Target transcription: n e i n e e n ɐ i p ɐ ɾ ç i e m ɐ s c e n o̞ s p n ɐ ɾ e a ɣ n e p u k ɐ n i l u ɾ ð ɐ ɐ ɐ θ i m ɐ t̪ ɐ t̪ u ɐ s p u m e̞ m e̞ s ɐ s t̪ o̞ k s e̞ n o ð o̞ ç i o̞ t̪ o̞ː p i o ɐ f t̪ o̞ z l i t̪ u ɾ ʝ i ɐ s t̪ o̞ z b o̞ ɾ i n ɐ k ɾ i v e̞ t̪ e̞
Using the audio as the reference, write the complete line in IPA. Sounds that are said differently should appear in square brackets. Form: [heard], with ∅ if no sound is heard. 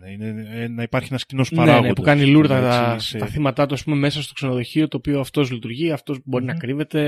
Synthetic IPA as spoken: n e i n e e n ɐ i p ɐ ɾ ç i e [n] ɐ s c [i] n o̞ s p n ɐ ɾ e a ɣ n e p u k ɐ n i l u ɾ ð ɐ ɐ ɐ θ i m ɐ t̪ ɐ t̪ u ɐ s p u m e̞ m e̞ s ɐ s t̪ o̞ k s e̞ n o ð o̞ ç i o̞ t̪ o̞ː p i o ɐ f t̪ o̞ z l i t̪ u ɾ ʝ i ɐ [f] t̪ o̞ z b o̞ ɾ i n ɐ k ɾ i v e̞ t̪ e̞